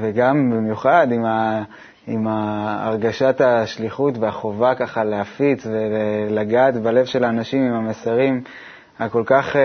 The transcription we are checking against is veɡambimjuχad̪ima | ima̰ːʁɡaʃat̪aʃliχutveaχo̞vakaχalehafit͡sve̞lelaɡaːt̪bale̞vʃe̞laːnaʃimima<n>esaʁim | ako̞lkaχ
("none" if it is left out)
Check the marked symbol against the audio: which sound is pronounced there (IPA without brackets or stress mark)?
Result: m